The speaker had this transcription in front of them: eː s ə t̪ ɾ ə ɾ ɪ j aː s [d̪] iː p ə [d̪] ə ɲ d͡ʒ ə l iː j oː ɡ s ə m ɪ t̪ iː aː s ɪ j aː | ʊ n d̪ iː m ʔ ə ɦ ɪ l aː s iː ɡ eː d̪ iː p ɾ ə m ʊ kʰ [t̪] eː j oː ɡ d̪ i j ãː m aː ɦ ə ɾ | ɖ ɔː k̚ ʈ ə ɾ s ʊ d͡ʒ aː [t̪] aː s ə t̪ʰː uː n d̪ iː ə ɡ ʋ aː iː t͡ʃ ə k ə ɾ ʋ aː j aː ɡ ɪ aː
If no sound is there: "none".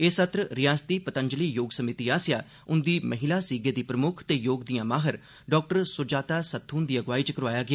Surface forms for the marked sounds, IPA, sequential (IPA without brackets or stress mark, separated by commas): t̪, t̪, t̪, t̪